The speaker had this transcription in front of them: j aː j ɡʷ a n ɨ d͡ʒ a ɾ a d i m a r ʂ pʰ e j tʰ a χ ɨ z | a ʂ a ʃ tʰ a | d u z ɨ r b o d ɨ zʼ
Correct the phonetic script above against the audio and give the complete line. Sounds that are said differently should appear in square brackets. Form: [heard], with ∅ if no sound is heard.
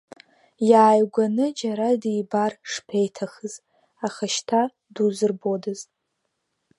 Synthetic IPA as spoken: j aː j ɡʷ a n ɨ d͡ʒ a ɾ a d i [b] a r ʂ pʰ e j tʰ a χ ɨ z | a [χ] a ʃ tʰ a | d u z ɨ r b o d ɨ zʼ